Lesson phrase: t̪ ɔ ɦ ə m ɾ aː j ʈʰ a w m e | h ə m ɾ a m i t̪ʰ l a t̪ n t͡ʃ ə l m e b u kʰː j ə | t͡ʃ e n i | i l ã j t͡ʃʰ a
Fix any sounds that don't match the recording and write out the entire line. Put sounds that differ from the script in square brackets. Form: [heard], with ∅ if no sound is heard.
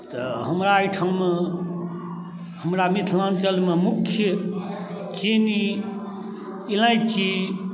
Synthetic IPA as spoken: t̪ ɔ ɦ ə m ɾ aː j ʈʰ a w m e | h ə m ɾ a m i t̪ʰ l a [∅] n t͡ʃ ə l m e [m] u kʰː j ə | t͡ʃ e n i | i l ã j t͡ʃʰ [i]